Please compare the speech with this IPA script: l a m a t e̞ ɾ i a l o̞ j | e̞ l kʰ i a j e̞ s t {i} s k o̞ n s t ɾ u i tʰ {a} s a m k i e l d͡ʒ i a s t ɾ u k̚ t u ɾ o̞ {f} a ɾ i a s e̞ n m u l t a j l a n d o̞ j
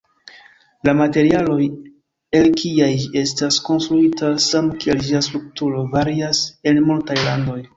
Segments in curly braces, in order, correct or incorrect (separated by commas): incorrect, correct, incorrect